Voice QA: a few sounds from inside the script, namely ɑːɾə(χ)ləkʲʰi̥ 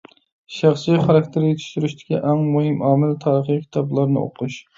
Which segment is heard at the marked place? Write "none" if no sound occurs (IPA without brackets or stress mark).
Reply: χ